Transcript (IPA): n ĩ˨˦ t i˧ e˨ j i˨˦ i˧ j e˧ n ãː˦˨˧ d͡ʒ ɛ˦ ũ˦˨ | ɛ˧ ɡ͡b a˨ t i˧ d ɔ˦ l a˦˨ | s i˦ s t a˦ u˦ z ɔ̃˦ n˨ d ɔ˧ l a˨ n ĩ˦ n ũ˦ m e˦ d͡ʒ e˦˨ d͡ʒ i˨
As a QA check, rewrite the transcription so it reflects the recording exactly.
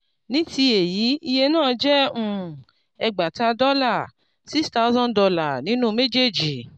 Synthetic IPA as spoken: n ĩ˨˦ t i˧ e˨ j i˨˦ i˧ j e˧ n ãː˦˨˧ d͡ʒ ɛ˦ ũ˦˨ | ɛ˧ ɡ͡b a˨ t a˧ d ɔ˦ l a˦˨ | s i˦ s t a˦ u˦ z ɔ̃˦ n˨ d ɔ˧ l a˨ n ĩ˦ n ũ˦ m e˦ d͡ʒ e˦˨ d͡ʒ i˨